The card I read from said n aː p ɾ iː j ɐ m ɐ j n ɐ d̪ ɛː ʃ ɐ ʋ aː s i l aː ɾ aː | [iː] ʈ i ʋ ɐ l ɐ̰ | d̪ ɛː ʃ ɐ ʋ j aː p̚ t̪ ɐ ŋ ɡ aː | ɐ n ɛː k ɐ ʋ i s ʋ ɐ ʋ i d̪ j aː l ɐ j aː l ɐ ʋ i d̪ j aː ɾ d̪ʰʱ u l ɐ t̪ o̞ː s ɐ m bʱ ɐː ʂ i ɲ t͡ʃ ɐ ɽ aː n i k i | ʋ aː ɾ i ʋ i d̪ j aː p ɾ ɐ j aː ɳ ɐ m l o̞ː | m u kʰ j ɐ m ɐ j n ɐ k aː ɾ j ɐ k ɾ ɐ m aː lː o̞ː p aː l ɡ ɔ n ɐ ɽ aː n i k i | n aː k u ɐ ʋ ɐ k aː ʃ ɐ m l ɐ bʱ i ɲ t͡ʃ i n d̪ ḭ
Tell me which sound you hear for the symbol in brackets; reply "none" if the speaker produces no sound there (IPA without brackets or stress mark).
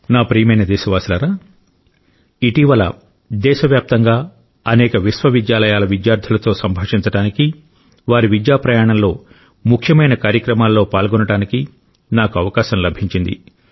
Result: i